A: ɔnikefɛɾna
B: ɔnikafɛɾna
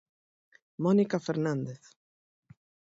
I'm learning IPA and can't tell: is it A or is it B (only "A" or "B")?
B